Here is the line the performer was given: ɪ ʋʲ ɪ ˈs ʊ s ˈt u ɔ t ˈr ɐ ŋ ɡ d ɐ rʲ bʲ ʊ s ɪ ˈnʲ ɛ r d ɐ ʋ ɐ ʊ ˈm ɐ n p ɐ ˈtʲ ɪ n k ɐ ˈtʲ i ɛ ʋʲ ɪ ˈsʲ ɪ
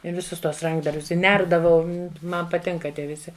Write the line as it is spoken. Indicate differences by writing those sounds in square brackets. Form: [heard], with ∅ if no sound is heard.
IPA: ɪ ʋʲ ɪ ˈs ʊ s ˈt u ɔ [s] ˈr ɐ ŋ ɡ d ɐ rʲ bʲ ʊ s ɪ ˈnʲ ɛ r d ɐ ʋ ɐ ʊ ˈm ɐ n p ɐ ˈtʲ ɪ [ŋ] k ɐ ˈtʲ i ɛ ʋʲ ɪ ˈsʲ ɪ